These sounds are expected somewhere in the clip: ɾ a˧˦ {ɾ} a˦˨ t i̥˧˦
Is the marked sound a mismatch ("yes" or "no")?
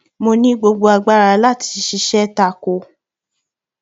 yes